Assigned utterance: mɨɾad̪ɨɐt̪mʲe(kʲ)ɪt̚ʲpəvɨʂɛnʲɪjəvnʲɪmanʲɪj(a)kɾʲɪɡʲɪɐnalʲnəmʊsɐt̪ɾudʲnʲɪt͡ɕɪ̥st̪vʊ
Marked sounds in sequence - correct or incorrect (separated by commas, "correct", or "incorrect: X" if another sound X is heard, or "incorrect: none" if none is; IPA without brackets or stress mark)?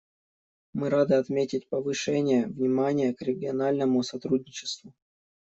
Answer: incorrect: tʲ, incorrect: ə